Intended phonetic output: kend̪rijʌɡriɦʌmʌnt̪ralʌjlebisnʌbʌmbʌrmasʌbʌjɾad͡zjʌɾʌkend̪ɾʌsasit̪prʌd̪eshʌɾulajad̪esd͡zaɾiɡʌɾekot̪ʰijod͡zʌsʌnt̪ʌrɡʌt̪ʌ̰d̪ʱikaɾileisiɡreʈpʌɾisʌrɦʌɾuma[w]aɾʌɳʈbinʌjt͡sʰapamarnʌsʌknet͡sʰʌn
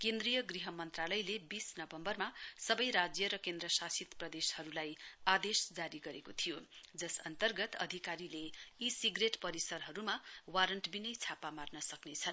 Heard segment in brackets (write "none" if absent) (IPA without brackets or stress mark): w